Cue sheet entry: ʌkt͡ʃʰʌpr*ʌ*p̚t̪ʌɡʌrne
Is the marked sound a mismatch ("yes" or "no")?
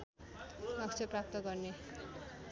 yes